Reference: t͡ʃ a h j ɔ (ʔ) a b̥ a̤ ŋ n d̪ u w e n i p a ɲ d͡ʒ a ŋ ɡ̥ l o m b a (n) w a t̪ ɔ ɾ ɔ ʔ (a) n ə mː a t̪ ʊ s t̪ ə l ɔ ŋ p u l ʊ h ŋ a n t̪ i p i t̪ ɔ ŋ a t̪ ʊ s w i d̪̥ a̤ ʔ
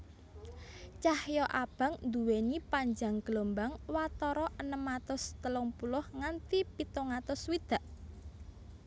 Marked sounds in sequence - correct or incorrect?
correct, incorrect: ŋ, incorrect: ə

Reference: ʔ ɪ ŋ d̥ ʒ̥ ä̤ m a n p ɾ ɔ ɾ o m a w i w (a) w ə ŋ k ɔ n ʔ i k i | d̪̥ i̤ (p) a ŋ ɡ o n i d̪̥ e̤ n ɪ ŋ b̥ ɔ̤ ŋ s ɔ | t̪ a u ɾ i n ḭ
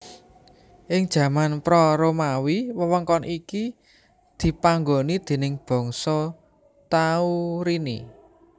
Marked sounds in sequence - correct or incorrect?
incorrect: ə, correct

